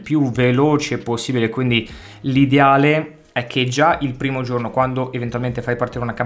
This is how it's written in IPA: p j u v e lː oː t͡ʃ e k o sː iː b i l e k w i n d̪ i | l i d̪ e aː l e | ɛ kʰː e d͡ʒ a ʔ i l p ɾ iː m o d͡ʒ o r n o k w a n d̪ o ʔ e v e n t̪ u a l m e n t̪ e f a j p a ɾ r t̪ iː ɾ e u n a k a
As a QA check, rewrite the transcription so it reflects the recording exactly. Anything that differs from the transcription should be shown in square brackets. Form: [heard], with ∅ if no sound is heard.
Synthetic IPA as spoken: p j u v e [l] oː t͡ʃ e [p] o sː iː b i l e k w i n d̪ i | l i d̪ e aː l e | ɛ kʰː e d͡ʒ a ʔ i l p ɾ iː m o d͡ʒ o r n o k w a n d̪ o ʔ e v e n t̪ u a l m e n t̪ e f a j p a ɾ r t̪ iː ɾ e u n a k a

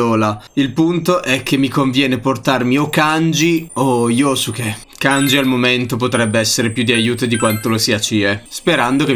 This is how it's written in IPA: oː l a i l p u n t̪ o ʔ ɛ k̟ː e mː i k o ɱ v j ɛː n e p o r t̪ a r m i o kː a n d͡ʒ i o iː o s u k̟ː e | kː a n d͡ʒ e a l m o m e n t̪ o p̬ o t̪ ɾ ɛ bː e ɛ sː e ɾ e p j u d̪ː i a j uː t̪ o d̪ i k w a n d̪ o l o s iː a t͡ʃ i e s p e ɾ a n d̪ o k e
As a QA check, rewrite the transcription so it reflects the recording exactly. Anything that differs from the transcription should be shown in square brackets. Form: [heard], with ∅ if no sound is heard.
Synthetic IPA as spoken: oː l a i l p u n t̪ o ʔ ɛ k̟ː e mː i k o ɱ v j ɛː n e p o r t̪ a r m i o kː a n d͡ʒ i o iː o s u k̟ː e | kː a n d͡ʒ [i] a l m o m e n t̪ o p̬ o t̪ ɾ ɛ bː e ɛ sː e ɾ e p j u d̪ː i a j uː t̪ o d̪ i k w a n [t̪] o l o s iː a t͡ʃ i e s p e ɾ a n d̪ o k e

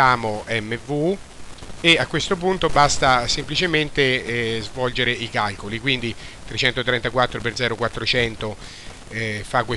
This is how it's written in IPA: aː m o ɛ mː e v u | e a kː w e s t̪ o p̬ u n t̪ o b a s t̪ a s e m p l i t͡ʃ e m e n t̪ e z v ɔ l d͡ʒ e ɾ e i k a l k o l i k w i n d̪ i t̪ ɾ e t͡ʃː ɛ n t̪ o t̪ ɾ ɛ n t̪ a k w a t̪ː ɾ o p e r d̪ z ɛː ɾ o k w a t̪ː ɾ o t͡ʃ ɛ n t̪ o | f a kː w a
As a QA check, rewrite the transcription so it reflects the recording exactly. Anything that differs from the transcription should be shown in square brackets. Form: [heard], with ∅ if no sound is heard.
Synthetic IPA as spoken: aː m o ɛ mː e v u | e a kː w e s t̪ o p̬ u n t̪ o b a s t̪ a s e m p l i t͡ʃ e m e n t̪ e z v ɔ l d͡ʒ e ɾ e i k a l k o l i k w i n d̪ i t̪ ɾ e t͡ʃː ɛ n t̪ o t̪ ɾ ɛ n t̪ a k w a t̪ː ɾ o p e r d̪ z ɛː ɾ o k w a t̪ː ɾ o t͡ʃ ɛ n t̪ o | f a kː w [e]

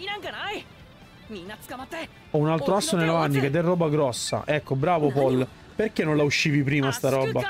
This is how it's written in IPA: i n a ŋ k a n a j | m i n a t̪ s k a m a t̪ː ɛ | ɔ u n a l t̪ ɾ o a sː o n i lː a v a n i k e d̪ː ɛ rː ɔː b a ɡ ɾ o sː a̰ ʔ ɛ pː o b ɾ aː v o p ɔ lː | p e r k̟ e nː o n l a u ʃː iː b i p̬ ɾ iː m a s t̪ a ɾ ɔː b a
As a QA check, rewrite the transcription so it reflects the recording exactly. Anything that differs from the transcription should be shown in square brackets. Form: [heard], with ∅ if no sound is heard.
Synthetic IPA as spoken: i n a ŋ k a n a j | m i n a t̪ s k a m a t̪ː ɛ | ɔ u n a l t̪ ɾ o a sː o n [e] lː a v a [nː] i k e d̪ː ɛ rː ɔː b a ɡ ɾ [ɔ] sː a̰ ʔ ɛ [kː] o b ɾ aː v o p ɔ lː | p e r k̟ e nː o n l a u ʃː iː [v] i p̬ ɾ iː m a s t̪ a ɾ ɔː b a

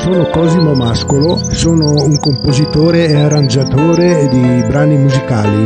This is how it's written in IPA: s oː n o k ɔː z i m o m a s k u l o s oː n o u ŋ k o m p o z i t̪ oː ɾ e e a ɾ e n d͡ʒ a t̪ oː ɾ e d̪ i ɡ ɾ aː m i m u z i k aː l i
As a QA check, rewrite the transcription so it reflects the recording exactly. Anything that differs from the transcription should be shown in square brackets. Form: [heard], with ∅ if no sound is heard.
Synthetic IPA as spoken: s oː n o k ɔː z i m o m a s k [o] l o s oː n o u ŋ k o m p o z i t̪ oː ɾ e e a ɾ [a] n d͡ʒ a t̪ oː ɾ e d̪ i [b] ɾ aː [n] i m u z i k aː l i

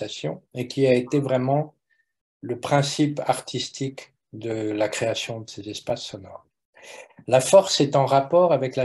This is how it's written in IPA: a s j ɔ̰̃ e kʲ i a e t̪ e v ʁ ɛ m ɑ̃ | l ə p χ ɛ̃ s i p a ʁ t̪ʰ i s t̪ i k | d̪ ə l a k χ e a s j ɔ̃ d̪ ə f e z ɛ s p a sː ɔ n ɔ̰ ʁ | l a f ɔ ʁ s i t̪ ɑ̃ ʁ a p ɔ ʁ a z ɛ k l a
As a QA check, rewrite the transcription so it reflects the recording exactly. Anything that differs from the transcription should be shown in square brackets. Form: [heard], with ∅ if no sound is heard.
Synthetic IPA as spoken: a s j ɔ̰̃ e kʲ i a e t̪ e v ʁ ɛ m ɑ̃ | l ə p χ ɛ̃ s i p a ʁ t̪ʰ i s t̪ i k | d̪ ə l a k χ e a s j ɔ̃ d̪ ə [s] e z ɛ s p a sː ɔ n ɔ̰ ʁ | l a f ɔ ʁ s [ɛ] t̪ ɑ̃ ʁ a p ɔ ʁ a [v] ɛ k l a

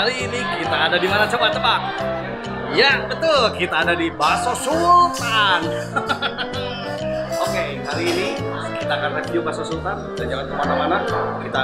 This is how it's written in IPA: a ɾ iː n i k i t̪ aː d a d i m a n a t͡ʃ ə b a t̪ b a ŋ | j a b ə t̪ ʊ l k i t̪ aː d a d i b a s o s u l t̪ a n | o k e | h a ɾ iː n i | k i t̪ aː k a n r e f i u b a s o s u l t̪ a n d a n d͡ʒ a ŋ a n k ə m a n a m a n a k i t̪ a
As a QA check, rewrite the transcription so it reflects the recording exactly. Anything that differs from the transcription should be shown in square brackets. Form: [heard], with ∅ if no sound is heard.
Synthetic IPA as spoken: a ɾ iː n i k i t̪ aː d a d i m a n a t͡ʃ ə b a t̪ b a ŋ | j a b ə t̪ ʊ l k i t̪ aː d a d i b a s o s u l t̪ a n | o k e | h a ɾ iː n i | k i t̪ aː k a n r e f i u b a s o s u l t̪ a n d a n d͡ʒ a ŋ a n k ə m a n a m a n a k i t̪ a

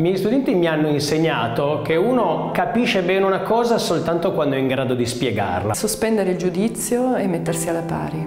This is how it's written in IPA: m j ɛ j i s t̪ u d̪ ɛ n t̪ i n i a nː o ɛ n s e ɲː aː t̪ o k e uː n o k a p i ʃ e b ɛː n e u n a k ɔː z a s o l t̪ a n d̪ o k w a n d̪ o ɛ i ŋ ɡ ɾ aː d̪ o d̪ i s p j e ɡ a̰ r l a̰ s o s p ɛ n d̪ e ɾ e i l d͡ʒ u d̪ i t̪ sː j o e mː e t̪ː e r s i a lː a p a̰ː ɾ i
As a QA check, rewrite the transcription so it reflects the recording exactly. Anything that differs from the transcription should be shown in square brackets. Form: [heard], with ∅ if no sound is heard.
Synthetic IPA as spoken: m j ɛ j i s t̪ u d̪ ɛ n t̪ i [m] i a nː o [i] n s e ɲː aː t̪ o k e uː n o k a p i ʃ e b ɛː n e u n a k ɔː z a s o l t̪ a n [t̪] o k w a n d̪ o ɛ i ŋ ɡ ɾ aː d̪ o d̪ i s p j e ɡ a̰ r l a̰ s o s p ɛ n d̪ e ɾ e i l d͡ʒ u d̪ i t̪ sː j o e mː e t̪ː e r s i a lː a p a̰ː ɾ i

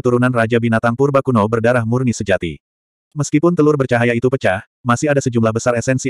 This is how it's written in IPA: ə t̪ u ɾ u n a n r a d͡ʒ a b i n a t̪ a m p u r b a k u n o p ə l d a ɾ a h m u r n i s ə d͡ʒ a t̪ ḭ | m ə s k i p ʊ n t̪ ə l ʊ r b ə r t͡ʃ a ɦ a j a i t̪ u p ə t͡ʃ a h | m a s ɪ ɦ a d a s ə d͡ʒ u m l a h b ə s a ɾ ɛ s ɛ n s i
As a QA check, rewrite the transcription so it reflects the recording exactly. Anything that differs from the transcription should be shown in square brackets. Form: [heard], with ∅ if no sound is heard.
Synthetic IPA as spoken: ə t̪ u ɾ u n a n r a d͡ʒ a b i n a t̪ a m p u r b a k u n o [b] ə [r] d a ɾ a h m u r n i s ə d͡ʒ a t̪ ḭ | m ə s k i p ʊ n t̪ ə l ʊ r b ə r t͡ʃ a ɦ a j a i t̪ u p ə t͡ʃ a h | m a s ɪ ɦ a d a s ə d͡ʒ u m l a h b ə s a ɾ ɛ s ɛ n s i

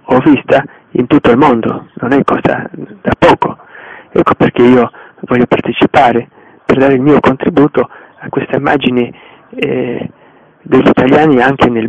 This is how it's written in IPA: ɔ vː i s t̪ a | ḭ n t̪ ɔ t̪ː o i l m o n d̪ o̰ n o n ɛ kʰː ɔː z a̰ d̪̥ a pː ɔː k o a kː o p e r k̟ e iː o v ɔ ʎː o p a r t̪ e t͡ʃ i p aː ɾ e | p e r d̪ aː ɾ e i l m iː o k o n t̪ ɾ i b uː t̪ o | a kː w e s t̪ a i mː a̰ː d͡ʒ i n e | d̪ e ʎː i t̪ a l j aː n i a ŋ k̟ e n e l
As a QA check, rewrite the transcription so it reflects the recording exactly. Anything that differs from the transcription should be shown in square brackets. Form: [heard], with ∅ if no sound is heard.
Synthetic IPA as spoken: ɔ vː i s t̪ a | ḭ n t̪ [u] t̪ː o i l m o n d̪ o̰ n o n ɛ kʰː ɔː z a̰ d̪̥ a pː ɔː k o [ɛ] kː o p e r k̟ e iː o v ɔ ʎː o p a r t̪ e t͡ʃ i p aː ɾ e | p e r d̪ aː ɾ e i l m iː o k o n t̪ ɾ i b uː t̪ o | a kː w e s t̪ a i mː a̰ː d͡ʒ i n e | d̪ e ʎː i t̪ a l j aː n i a ŋ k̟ e n e l

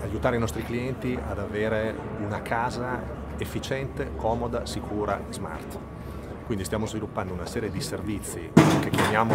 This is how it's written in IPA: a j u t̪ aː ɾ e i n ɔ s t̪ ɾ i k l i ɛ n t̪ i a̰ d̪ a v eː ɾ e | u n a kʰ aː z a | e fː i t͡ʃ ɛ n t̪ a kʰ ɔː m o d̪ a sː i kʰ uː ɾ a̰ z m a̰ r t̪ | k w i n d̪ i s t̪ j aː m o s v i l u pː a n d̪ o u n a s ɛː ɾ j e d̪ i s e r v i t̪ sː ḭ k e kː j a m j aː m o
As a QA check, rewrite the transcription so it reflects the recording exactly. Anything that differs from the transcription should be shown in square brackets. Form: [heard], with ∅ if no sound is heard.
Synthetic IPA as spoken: a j u t̪ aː ɾ e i n ɔ s t̪ ɾ i k l i ɛ n t̪ i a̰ d̪ a v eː ɾ e | u n a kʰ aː z a | e fː i t͡ʃ ɛ n t̪ [e] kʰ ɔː m o d̪ a [s] i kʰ uː ɾ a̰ z m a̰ r t̪ | k w i n d̪ i s t̪ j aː m o [z] v i l u pː a n d̪ o u n a s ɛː ɾ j e d̪ i s e r v i t̪ sː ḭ k e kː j a m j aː m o

